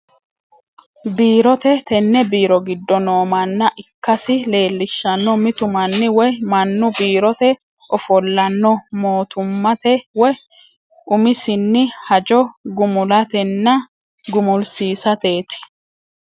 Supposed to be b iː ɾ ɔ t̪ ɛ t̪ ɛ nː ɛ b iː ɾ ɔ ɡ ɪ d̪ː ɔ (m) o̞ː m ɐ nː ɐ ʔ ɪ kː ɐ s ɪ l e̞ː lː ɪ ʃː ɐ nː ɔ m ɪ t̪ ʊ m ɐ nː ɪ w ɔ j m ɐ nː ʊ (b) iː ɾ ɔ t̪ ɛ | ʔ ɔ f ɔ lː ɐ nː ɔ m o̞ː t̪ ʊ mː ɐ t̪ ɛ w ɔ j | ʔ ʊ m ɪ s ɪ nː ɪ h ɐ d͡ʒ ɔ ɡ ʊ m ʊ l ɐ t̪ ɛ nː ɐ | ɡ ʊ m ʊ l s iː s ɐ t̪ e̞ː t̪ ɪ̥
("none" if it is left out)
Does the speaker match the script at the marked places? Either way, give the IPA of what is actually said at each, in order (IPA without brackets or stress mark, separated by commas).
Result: n, b